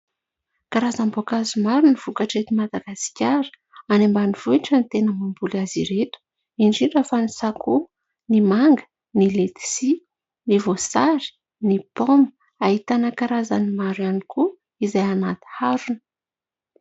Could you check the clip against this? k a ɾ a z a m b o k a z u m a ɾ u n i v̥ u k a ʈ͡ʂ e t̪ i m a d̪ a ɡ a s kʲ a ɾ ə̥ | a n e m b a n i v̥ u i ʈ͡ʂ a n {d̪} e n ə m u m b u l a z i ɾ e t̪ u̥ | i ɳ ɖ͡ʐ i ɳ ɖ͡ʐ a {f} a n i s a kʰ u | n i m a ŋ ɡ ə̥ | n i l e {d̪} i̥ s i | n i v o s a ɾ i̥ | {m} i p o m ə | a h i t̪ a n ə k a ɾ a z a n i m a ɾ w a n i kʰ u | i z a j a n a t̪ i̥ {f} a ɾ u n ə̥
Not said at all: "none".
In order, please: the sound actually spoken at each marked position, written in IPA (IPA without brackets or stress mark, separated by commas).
t̪, f, t̪, n, h